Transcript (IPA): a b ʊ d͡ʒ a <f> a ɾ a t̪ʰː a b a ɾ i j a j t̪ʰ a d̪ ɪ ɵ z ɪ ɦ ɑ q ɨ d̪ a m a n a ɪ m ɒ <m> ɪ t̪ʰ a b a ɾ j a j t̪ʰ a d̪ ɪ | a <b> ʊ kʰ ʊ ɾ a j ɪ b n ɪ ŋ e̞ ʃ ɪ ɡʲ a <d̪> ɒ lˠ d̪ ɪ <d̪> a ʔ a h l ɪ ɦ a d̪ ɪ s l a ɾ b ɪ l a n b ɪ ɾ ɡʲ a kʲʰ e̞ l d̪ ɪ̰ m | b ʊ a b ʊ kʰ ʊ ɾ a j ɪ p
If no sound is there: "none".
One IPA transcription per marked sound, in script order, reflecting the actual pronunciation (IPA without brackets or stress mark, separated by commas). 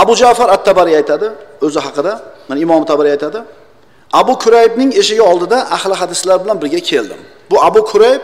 f, m, b, none, d̪